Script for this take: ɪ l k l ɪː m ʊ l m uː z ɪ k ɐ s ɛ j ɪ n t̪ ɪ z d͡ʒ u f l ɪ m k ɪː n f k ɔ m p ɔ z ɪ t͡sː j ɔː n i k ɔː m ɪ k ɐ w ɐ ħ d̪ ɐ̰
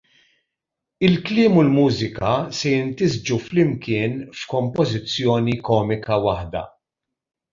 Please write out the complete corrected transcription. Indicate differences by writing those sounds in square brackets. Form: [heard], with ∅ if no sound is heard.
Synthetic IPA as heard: ɪ l k l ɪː m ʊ l m uː z ɪ k ɐ s ɛ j ɪ n t̪ ɪ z d͡ʒ u f l ɪ m k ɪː n f k ɔ m p ɔ z ɪ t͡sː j ɔː n i k ɔː m ɪ k ɐ w ɐ ħ d̪ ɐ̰